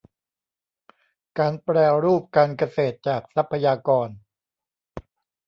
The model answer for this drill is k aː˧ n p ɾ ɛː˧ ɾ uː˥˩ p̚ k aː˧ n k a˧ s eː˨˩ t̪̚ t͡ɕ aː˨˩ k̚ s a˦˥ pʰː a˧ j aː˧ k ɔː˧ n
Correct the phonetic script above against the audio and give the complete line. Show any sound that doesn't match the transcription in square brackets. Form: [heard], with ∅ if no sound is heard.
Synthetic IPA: k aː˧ n p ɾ ɛː˧ ɾ uː˥˩ p̚ k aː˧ n k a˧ s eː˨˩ t̪̚ t͡ɕ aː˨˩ k̚ s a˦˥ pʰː a˧ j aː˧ k ɔː˧ n